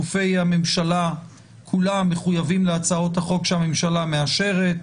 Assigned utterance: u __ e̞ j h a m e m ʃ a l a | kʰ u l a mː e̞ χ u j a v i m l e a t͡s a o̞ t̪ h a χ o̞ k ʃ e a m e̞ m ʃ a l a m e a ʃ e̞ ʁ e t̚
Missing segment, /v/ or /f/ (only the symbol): f